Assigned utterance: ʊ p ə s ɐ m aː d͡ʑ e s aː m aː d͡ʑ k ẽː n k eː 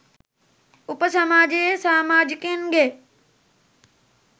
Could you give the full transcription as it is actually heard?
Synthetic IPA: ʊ p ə s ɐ m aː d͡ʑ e s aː m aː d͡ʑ k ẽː n ɡ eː